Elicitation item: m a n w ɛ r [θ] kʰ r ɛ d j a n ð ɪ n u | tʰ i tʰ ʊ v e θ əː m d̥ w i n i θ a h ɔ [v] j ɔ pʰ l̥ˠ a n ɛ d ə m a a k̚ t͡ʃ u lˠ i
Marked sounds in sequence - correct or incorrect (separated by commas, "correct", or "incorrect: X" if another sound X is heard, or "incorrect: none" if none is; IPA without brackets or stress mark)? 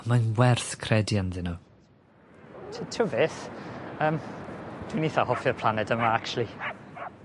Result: correct, incorrect: f